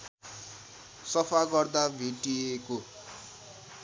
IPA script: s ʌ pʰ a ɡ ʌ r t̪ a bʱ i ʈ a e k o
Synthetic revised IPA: s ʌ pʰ a ɡ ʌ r d̪ a bʱ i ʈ i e k o